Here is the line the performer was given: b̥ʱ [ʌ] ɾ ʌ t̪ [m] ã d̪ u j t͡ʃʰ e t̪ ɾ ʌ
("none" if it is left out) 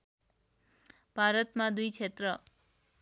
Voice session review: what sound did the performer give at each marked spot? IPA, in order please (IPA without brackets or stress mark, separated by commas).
a, m